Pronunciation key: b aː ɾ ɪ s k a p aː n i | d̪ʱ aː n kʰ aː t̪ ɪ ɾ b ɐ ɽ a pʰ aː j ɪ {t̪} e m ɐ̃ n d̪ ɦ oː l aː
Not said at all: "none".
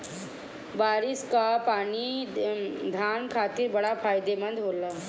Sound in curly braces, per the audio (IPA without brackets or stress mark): d̪